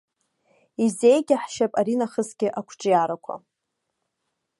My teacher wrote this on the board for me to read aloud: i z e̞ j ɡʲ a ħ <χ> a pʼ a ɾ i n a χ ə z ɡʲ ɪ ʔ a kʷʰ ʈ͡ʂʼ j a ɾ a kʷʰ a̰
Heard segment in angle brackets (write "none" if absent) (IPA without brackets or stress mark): ʃ